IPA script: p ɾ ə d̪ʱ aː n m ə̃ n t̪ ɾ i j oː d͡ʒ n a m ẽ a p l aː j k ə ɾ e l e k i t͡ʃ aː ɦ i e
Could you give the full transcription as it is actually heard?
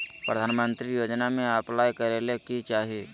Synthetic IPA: p ɾ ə d̪ʱ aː n m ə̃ n t̪ ɾ i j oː d͡ʒ n a m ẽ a p l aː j k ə ɾ e l e k i t͡ʃ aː ɦ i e